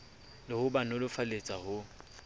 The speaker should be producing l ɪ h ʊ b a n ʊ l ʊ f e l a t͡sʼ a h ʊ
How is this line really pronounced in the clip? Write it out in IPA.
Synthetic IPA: l ɪ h ʊ b a n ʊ l ʊ f a l e t͡sʼ a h ʊ